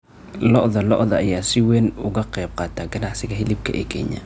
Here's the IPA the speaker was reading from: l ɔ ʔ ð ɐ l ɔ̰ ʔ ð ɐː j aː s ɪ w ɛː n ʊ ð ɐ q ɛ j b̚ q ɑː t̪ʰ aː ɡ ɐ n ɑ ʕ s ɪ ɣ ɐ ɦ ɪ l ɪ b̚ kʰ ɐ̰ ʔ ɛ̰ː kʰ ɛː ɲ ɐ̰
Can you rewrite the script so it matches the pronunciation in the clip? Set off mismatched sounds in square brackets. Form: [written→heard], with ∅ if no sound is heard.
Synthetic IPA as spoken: l ɔ ʔ ð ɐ l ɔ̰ ʔ ð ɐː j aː s ɪ w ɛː n ʊ [ð→ɣ] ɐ q ɛ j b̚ q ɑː t̪ʰ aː ɡ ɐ n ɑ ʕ s ɪ ɣ ɐ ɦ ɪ l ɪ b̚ kʰ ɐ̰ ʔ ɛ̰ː kʰ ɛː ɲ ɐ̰